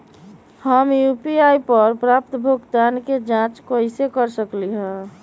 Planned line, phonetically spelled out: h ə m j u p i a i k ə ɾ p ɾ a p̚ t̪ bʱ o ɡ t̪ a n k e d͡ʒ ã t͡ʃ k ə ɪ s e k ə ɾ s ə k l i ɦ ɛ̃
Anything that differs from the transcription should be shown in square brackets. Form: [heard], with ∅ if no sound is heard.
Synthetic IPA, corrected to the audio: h ə m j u p i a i [p] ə ɾ p ɾ a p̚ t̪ bʱ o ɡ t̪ a n k e d͡ʒ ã t͡ʃ k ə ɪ s e k ə ɾ s ə k l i ɦ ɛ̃